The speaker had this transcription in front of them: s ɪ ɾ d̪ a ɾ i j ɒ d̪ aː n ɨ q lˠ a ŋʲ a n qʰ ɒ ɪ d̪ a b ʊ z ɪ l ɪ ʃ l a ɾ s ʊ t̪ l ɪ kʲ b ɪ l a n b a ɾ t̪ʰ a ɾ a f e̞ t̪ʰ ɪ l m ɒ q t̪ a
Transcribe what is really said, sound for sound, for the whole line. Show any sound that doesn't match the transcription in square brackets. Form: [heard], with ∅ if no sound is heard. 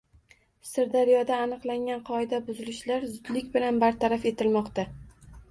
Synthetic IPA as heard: s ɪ ɾ d̪ a ɾ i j ɒ d̪ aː n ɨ q lˠ a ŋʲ a n qʰ ɒ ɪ d̪ a b ʊ z ɪ l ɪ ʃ l a ɾ [z] ʊ [d̪] l ɪ kʲ b ɪ l a n b a ɾ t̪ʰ a ɾ a f e̞ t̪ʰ ɪ l m ɒ q t̪ a